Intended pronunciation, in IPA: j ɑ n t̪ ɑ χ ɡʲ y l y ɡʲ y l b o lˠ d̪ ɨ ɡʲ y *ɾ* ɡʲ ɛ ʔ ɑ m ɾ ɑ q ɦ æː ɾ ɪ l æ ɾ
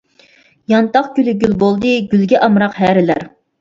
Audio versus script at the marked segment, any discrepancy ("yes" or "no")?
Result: yes